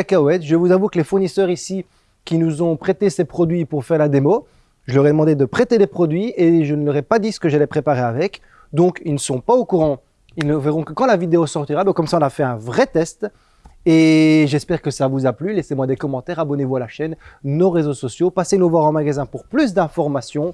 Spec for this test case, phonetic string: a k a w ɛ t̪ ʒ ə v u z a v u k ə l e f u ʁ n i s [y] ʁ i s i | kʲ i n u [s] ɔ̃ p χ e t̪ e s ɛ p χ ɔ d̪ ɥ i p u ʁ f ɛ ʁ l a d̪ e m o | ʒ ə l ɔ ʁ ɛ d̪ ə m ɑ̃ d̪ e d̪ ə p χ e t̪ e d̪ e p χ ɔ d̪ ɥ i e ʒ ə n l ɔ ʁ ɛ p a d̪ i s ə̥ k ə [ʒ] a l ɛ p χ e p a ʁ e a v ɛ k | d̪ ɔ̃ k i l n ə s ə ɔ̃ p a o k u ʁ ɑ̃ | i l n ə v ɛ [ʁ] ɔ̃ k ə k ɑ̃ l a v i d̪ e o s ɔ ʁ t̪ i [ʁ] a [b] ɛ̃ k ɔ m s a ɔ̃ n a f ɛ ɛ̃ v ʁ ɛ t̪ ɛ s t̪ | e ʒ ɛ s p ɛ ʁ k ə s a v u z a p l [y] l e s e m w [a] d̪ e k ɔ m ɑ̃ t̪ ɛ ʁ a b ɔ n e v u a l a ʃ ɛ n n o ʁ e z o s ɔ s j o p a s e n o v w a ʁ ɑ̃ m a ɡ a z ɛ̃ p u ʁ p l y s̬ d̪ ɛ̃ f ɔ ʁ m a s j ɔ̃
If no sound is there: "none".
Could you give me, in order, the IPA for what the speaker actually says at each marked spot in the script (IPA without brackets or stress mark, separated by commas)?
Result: œ, z, ʒ, ʁ, ʁ, b, y, a